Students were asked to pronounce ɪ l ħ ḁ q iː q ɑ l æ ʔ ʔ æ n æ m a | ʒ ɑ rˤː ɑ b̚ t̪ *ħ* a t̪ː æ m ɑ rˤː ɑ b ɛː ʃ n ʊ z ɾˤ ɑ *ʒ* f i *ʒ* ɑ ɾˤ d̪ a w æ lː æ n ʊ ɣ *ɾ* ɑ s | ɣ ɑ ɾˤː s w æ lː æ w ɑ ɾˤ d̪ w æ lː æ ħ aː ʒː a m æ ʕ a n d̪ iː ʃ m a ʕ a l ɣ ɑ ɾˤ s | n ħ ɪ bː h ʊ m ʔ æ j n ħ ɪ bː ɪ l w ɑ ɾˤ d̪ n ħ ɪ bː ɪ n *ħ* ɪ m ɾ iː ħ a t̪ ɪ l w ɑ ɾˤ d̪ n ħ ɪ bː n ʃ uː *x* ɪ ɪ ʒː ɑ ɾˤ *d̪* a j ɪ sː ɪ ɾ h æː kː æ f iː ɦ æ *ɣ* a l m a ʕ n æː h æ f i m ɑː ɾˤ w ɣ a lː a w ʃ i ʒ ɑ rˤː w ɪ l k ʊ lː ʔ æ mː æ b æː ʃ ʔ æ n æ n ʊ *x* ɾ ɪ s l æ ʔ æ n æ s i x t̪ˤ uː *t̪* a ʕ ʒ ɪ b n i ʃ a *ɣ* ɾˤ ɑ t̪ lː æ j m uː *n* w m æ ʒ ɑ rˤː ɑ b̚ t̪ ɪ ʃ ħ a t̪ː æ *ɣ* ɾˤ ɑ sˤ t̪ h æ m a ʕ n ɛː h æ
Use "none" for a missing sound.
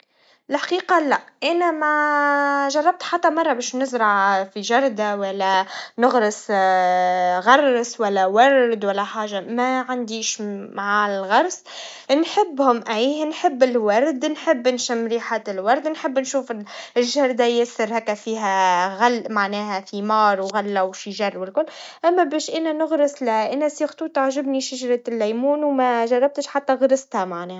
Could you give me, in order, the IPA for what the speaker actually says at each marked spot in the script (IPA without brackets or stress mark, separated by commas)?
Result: ħ, ʕ, ʒ, ɾ, ʃ, f, d̪, ɣ, ɣ, t̪, ʒ, n, ɣ